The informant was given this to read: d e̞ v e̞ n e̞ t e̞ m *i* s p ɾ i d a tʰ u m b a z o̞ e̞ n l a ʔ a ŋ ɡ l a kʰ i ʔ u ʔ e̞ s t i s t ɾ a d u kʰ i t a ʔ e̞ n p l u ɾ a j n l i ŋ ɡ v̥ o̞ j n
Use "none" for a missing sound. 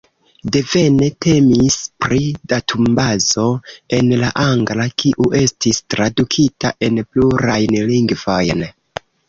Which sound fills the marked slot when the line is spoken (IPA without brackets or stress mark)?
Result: i